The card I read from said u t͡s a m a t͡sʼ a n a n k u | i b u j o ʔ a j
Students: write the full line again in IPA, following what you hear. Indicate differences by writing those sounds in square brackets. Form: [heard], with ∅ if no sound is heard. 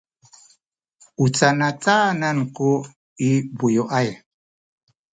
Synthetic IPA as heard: u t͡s a [n] a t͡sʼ a n a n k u | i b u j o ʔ a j